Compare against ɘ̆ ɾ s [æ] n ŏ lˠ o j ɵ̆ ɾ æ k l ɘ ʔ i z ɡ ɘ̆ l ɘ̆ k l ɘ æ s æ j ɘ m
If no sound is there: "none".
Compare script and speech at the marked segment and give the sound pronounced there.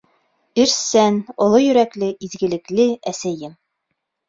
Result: æ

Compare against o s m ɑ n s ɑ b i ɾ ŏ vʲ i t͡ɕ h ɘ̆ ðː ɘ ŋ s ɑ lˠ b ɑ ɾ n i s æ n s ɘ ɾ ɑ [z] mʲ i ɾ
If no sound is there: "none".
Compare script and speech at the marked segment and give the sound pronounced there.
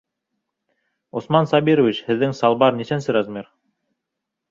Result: z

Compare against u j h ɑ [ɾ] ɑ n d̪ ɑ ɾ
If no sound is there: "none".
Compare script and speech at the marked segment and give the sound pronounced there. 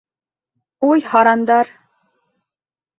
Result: ɾ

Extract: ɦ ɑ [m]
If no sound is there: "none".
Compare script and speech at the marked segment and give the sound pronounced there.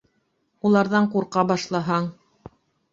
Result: ɴ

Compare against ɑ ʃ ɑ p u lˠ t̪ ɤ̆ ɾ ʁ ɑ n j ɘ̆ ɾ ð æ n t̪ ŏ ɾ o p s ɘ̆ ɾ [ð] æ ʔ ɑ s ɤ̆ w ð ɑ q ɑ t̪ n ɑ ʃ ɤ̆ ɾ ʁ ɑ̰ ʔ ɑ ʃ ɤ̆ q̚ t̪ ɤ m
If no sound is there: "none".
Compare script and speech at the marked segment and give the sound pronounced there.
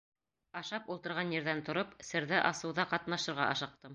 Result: ð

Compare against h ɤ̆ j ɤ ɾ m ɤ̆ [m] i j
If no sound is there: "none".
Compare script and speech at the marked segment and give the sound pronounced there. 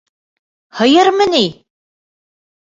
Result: n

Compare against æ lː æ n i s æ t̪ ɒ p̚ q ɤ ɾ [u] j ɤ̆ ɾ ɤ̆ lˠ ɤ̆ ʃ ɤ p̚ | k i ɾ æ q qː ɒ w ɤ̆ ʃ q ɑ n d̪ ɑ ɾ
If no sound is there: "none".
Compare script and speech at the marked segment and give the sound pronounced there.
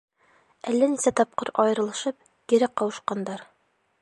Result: ɒ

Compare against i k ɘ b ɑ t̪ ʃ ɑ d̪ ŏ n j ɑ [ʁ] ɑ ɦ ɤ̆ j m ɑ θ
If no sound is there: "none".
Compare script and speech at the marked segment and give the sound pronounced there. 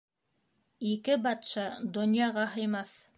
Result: ʁ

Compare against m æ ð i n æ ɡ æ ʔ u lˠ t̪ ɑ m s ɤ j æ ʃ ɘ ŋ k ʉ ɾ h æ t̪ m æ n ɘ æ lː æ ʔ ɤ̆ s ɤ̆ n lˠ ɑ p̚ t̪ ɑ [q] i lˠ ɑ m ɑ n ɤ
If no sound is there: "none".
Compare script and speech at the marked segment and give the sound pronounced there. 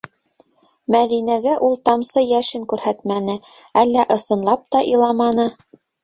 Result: ʔ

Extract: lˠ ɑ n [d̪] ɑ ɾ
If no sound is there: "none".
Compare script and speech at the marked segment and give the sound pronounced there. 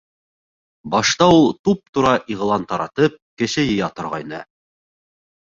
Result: t̪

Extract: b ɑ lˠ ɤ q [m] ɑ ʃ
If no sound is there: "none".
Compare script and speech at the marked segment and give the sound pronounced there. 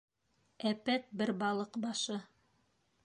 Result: b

